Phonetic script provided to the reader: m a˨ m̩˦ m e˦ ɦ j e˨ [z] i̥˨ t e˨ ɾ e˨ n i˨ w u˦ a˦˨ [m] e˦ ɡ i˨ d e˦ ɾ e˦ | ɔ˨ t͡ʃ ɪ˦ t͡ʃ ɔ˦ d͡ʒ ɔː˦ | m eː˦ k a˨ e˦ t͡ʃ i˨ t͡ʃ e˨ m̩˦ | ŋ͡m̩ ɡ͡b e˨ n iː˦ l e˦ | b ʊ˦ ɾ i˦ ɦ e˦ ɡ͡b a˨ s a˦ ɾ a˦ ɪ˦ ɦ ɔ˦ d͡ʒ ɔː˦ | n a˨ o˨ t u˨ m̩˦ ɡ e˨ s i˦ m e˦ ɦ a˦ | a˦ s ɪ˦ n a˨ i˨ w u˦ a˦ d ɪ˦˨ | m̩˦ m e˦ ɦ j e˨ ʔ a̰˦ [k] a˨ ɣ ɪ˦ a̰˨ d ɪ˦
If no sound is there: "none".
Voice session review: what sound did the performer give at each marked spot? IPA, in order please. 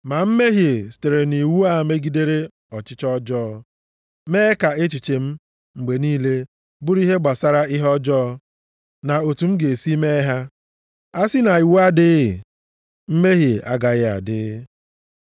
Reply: s, m, ɡ

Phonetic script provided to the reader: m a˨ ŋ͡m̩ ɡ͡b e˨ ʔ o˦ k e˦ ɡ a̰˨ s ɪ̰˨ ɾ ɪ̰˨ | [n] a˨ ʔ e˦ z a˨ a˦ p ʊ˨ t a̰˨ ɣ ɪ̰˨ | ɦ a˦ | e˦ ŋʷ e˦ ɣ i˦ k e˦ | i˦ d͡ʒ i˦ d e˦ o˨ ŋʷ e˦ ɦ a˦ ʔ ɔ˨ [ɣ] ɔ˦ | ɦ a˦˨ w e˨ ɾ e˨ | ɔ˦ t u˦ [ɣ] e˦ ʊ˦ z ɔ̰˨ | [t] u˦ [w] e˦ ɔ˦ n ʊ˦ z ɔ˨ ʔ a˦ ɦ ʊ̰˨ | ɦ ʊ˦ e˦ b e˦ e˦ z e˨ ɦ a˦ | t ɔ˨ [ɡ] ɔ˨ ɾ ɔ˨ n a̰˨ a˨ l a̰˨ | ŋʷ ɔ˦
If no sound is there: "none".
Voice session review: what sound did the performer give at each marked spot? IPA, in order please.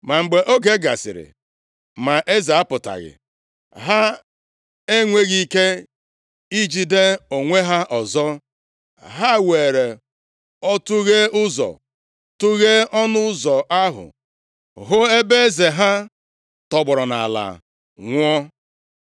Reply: m, z, ɣ, t, ɣ, ɡ͡b

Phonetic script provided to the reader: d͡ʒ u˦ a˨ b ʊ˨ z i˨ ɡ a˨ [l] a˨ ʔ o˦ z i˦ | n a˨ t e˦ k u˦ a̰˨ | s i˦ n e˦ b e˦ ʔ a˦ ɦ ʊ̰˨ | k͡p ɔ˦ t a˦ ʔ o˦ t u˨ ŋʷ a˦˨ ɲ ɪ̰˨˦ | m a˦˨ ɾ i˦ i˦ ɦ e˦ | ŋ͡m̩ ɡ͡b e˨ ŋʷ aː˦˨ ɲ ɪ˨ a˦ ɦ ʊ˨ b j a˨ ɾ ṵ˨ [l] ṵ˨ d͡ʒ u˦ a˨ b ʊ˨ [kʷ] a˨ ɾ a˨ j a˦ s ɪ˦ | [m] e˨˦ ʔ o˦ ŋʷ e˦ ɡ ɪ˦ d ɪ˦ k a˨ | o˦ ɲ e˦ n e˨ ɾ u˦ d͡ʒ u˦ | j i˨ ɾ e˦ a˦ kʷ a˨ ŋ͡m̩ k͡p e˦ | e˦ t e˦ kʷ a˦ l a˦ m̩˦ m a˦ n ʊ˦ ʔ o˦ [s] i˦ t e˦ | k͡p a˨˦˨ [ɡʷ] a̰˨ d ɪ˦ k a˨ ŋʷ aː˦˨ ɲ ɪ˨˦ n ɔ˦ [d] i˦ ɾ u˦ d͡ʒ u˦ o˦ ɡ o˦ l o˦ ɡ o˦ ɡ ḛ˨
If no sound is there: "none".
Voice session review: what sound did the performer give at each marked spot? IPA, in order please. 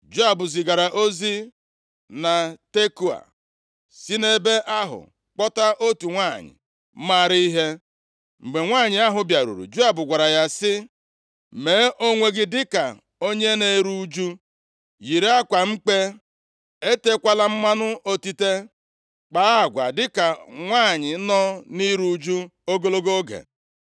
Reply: ɾ, ɾ, ɡʷ, m, t, ɡʷ, n

